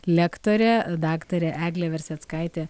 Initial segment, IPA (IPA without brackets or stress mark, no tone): lʲ